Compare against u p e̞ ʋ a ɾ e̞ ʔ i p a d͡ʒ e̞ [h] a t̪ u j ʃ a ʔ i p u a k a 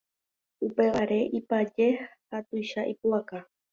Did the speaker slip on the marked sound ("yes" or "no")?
no